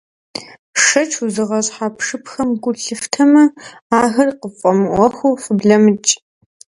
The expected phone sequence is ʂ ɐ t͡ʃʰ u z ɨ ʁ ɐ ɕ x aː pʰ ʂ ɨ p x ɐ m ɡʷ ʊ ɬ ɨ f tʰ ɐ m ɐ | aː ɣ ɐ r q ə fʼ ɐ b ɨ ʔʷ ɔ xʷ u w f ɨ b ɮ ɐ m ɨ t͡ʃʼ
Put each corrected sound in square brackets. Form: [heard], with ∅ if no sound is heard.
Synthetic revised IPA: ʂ ɐ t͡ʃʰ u z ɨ ʁ ɐ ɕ [ħ] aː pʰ ʂ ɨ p x ɐ m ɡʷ ʊ ɬ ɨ f tʰ ɐ m ɐ | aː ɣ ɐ r q ə fʼ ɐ [m] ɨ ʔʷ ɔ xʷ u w f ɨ b ɮ ɐ m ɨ t͡ʃʼ